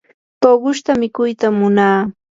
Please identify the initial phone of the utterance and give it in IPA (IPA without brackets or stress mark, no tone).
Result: t̪